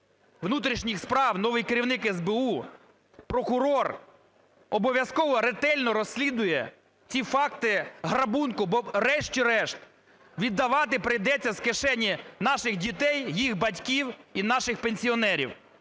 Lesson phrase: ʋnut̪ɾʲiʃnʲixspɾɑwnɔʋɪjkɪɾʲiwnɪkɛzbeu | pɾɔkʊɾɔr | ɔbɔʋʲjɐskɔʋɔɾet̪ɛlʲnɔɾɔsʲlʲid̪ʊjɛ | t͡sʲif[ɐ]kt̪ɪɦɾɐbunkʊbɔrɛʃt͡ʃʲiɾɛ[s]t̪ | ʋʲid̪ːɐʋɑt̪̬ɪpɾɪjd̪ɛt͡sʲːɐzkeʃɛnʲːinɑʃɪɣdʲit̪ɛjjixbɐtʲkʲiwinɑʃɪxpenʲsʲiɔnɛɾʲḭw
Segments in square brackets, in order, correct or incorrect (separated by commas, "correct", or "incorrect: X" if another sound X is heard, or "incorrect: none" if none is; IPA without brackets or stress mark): incorrect: ɑ, incorrect: ʃ